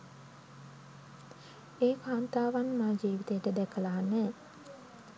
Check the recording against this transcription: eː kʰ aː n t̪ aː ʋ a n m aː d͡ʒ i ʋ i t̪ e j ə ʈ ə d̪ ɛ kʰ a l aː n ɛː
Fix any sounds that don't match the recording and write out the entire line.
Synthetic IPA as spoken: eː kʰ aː n t̪ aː ʋ a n m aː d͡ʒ iː ʋ i t̪ e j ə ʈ ə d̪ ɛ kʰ ə l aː n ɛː